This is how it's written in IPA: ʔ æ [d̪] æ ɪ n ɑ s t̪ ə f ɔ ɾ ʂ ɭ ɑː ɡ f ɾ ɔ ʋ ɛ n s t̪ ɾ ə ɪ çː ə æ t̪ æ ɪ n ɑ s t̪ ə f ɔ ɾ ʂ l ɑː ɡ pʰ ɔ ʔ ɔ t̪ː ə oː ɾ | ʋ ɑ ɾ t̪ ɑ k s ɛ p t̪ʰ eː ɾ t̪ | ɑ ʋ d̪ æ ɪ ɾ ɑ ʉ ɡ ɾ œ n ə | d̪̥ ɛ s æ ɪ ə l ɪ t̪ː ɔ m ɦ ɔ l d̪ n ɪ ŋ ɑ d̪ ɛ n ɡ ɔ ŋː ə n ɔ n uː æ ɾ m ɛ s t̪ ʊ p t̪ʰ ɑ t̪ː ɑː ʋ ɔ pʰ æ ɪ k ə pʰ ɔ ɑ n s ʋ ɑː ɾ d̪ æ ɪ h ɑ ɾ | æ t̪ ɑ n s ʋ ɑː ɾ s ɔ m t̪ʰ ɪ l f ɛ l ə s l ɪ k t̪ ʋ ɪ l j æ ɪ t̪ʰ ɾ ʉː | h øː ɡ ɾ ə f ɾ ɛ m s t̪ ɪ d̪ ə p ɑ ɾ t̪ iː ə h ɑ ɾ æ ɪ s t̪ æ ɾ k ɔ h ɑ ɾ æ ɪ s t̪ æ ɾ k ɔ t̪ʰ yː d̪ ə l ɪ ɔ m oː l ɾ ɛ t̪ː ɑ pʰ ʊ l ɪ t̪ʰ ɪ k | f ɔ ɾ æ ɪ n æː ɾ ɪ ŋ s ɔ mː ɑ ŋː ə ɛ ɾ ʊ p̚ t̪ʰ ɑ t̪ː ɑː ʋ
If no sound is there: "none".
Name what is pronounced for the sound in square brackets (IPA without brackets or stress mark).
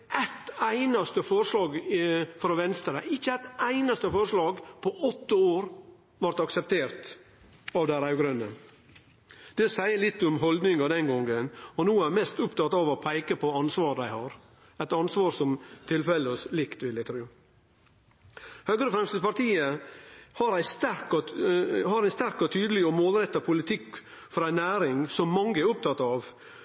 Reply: t̪